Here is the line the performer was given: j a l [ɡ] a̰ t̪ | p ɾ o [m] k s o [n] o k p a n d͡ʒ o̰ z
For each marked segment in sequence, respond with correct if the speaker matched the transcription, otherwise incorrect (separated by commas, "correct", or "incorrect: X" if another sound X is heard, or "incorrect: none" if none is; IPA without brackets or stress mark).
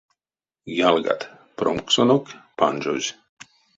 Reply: correct, correct, correct